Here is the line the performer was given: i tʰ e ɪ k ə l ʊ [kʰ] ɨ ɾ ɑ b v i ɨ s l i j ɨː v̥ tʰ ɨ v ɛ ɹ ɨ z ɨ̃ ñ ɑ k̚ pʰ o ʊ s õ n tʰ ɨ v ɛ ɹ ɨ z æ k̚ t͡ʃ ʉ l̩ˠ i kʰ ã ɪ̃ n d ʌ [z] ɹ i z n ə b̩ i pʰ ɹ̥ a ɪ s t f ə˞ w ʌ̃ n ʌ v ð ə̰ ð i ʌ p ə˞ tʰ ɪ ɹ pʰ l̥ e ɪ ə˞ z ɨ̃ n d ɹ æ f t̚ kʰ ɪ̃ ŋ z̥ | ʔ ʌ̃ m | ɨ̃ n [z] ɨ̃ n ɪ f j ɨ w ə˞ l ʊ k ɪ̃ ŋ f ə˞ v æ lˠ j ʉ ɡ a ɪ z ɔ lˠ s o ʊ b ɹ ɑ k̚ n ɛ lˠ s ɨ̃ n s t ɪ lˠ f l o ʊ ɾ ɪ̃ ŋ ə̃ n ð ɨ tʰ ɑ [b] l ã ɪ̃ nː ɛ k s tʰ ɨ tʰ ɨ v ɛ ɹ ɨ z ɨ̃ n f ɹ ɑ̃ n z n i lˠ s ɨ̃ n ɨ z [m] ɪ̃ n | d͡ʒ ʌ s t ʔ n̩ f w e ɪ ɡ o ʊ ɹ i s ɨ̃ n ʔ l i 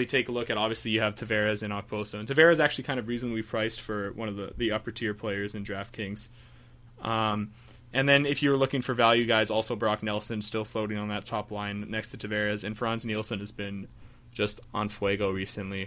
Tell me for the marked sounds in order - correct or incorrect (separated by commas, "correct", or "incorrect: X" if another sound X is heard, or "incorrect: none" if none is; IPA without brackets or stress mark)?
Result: incorrect: k, incorrect: v, incorrect: ð, incorrect: p, incorrect: b